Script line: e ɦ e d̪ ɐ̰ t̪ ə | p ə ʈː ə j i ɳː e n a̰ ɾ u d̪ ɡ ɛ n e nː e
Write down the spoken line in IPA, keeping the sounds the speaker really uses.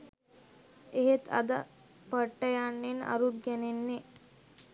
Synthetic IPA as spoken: e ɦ e t̪ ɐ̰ d̪ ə | p ə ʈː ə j a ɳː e n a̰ ɾ u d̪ ɡ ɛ n e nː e